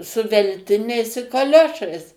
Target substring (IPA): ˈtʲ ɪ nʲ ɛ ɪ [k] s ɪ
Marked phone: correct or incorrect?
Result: incorrect